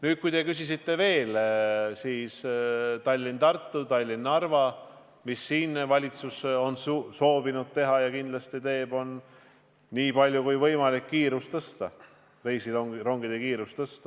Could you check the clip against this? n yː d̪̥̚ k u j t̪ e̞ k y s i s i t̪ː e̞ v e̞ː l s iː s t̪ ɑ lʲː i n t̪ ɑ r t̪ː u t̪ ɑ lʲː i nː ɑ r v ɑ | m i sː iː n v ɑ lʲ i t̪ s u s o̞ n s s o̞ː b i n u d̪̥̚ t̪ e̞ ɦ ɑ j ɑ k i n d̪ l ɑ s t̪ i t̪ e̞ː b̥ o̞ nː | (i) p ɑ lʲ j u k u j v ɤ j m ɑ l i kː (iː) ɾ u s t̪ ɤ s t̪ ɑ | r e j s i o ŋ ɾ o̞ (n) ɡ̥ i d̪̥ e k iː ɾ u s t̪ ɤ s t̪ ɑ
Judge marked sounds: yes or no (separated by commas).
no, yes, no